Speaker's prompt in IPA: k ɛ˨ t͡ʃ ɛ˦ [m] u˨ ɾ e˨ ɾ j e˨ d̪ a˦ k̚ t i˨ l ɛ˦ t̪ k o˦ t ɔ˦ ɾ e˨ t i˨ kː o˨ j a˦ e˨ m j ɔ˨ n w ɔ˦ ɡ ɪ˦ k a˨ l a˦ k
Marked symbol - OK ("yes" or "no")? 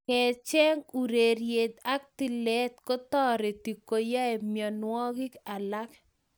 no